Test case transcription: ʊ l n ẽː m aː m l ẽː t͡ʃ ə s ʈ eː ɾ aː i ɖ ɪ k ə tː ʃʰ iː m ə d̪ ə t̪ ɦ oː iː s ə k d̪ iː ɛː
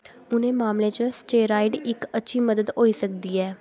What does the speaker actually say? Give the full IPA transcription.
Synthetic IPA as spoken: ʊ n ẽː m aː m l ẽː t͡ʃ ə s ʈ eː ɾ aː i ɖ ɪ k ə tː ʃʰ iː m ə d̪ ə d̪ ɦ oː iː s ə k d̪ iː ɛː